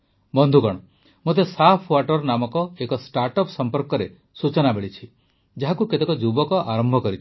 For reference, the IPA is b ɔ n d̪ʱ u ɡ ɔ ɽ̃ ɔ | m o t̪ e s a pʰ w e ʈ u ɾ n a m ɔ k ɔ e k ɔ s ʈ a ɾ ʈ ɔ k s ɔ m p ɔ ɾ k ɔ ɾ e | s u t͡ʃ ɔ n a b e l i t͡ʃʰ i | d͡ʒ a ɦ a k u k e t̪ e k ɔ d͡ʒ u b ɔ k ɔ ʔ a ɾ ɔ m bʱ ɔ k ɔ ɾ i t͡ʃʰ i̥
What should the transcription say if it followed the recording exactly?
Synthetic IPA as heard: b ɔ n d̪ʱ u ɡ ɔ ɽ̃ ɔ | m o t̪ e s a pʰ w a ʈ ɔ ɾ n a m ɔ k ɔ e k ɔ s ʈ a ɾ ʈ ɔ p s ɔ m p ɔ ɾ k ɔ ɾ e | s u t͡ʃ ɔ n a b e ɭ i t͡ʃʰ i | d͡ʒ a ɦ a k u k e t̪ e k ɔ d͡ʒ u b ɔ k ɔ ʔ a ɾ ɔ m bʱ ɔ k ɔ ɾ i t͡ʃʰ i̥

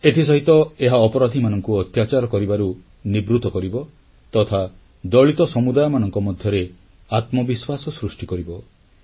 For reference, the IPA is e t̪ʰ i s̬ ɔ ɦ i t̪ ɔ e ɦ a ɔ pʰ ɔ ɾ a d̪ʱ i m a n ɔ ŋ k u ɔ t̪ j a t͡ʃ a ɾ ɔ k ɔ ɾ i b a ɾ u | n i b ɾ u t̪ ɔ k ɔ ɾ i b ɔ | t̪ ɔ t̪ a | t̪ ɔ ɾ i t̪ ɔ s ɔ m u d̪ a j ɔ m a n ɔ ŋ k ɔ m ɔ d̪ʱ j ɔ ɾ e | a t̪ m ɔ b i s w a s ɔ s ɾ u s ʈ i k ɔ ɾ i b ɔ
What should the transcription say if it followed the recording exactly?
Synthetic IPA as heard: e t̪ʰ i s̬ ɔ ɦ i t̪ ɔ e ɦ a ɔ p ɔ ɾ a d̪ʱ i m a n ɔ ŋ k u ɔ t̪ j a t͡ʃ a ɾ ɔ k ɔ ɾ i b a ɾ u | n i b ɾ u t̪ ɔ k ɔ ɾ i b ɔ | t̪ ɔ t̪ʰ a | d̪ ɔ ɭ i t̪ ɔ s ɔ m u d̪ a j ɔ m a n ɔ ŋ k ɔ m ɔ d̪ʱ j ɔ ɾ e | a t̪ m ɔ b i s w a s ɔ s ɾ u s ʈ i k ɔ ɾ i b ɔ

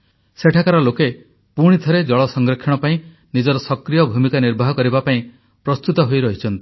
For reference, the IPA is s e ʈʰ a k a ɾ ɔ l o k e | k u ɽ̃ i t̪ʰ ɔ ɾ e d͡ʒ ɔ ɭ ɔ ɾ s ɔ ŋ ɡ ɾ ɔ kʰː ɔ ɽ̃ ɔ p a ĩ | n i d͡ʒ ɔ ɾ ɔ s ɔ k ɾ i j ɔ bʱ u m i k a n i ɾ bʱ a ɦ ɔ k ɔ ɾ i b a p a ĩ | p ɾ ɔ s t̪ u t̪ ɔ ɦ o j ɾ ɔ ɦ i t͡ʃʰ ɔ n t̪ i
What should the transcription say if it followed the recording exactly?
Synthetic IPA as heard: s e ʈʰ a k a ɾ ɔ l o k e | p u ɽ̃ i t̪ʰ ɔ ɾ e d͡ʒ ɔ ɭ ɔ s ɔ ŋ ɡ ɾ ɔ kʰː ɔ ɽ̃ ɔ p a ĩ | n i d͡ʒ ɔ ɾ ɔ s ɔ k ɾ i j ɔ bʱ u m i k a n i ɾ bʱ a ɦ ɔ k ɔ ɾ i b a p a ĩ | p ɾ ɔ s t̪ u t̪ ɔ ɦ o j ɾ ɔ ɦ i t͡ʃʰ ɔ n t̪ i

